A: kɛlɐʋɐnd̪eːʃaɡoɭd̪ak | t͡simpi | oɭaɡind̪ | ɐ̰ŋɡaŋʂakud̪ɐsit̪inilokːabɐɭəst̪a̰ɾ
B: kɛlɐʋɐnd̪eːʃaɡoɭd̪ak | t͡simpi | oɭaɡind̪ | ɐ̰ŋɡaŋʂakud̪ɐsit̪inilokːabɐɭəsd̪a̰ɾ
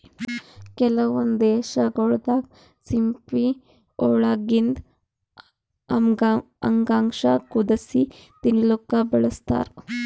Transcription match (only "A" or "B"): A